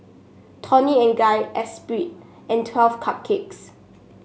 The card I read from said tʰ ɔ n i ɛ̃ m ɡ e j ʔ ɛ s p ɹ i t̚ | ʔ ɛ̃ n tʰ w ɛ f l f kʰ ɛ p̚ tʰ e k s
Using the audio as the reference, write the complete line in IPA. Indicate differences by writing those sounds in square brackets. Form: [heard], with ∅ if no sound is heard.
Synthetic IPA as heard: tʰ ɔ n i ɛ̃ [n] ɡ [a] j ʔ ɛ s p ɹ i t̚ | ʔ ɛ̃ n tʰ w ɛ [∅] l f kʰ [a] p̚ [kʰ] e k s